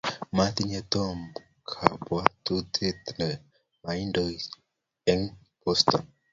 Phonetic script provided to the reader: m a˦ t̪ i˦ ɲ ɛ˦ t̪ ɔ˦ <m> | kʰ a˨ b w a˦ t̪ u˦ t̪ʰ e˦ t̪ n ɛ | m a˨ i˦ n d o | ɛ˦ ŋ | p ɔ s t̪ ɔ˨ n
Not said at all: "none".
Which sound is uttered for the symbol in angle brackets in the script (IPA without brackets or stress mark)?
m